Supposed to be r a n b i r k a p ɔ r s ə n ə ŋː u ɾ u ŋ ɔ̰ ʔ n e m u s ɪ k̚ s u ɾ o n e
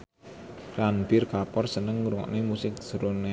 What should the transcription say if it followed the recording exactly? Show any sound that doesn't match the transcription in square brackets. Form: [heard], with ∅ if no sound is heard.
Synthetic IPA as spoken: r a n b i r k a p ɔ r s ə n ə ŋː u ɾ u ŋ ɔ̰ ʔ n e m u s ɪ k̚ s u ɾ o n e